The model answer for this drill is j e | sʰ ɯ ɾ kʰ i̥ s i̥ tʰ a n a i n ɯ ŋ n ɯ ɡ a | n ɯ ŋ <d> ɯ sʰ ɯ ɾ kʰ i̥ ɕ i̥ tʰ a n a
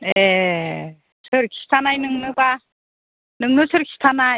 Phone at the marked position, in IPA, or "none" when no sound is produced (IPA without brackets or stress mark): n